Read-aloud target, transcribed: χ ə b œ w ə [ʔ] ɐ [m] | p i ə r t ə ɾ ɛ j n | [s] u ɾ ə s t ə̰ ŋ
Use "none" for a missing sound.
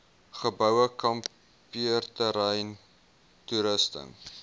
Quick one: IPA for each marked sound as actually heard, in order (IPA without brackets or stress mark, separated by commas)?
k, m, t